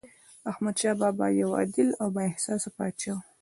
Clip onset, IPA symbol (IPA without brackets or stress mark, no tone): a